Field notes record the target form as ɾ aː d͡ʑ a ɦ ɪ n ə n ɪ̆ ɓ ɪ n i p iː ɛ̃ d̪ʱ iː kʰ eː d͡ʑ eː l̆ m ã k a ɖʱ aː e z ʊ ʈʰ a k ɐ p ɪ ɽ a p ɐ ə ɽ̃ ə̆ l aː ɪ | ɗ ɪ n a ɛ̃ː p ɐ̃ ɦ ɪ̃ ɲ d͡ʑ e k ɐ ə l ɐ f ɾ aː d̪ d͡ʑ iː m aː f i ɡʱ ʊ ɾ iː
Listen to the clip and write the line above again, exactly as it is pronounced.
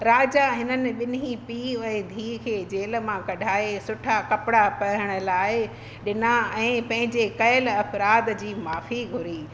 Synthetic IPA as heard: ɾ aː d͡ʑ a ɦ ɪ n ə n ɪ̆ ɓ ɪ n i p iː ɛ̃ d̪ʱ iː kʰ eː d͡ʑ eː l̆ m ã k ɐ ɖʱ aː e s ʊ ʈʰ a k ɐ p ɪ ɽ a p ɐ ə ɽ̃ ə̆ l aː ɪ | ɗ ɪ n a ɛ̃ː p ɐ̃ ɦ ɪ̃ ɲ d͡ʑ e k ɐ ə l ɐ f ɾ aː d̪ d͡ʑ iː m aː f i ɡʱ ʊ ɾ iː